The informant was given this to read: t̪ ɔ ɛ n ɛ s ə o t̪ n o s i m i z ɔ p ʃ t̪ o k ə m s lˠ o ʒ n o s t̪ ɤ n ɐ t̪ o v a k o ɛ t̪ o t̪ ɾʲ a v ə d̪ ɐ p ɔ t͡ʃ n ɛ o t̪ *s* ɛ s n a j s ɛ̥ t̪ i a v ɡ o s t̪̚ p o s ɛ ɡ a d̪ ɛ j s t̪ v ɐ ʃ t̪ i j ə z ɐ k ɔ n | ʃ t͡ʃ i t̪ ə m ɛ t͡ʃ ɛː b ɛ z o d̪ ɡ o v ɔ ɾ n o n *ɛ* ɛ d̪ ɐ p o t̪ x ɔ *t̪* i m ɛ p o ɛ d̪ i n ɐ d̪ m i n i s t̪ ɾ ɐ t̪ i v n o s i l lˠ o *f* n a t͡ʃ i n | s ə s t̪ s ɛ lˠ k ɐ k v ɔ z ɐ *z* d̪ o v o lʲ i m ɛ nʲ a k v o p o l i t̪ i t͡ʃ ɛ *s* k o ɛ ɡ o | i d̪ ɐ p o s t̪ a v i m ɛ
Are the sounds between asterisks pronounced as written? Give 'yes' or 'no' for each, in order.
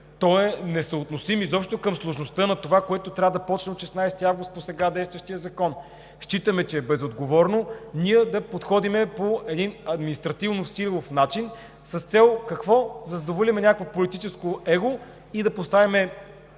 no, no, no, yes, yes, yes

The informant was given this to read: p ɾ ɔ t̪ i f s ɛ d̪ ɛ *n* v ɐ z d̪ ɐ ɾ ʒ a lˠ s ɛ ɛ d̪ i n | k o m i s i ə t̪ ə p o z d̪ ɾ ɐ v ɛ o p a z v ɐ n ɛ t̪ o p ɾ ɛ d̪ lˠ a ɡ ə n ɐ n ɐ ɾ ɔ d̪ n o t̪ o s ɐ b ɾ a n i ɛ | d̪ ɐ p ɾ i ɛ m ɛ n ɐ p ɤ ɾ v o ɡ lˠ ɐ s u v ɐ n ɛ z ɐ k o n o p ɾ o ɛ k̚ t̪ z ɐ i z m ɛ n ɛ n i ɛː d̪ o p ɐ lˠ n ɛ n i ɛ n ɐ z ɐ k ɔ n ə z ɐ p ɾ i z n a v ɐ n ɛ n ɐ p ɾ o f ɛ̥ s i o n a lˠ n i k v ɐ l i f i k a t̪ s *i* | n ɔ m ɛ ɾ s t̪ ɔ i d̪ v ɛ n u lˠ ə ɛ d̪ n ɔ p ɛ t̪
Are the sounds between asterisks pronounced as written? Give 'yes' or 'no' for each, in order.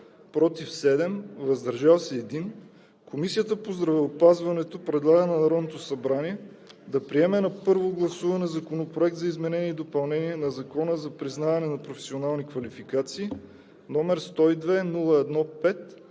no, no

